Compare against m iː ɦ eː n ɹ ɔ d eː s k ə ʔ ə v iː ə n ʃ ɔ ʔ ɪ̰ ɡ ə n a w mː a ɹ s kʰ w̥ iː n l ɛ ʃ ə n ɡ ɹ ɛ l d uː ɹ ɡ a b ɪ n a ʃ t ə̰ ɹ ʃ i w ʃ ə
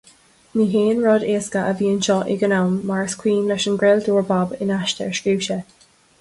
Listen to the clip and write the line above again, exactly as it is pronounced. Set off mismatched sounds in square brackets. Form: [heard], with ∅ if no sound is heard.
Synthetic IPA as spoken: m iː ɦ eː n ɹ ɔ d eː s k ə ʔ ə v iː ə n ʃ ɔ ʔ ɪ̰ ɡ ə n a w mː a ɹ s kʰ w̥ iː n l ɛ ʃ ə n ɡ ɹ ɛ l d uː ɹ [b] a b ɪ n a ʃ t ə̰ ɹ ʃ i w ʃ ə